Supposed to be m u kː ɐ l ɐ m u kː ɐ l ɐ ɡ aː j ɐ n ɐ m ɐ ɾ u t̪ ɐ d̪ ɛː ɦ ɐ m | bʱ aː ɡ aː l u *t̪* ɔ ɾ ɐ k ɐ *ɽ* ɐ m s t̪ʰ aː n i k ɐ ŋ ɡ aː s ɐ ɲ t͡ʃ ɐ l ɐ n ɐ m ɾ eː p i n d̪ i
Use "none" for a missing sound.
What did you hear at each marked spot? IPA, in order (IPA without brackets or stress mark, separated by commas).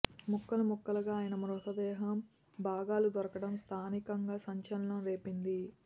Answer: d̪, ɽ